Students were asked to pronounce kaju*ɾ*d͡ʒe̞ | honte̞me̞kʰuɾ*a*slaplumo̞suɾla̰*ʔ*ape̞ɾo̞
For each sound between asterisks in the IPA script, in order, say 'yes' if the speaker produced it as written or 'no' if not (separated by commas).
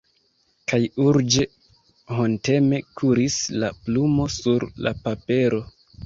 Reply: yes, no, no